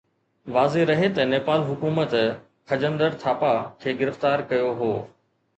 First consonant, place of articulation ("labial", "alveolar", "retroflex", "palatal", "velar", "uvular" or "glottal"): labial